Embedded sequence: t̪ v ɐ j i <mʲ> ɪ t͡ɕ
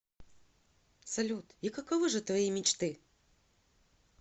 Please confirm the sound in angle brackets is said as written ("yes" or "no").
yes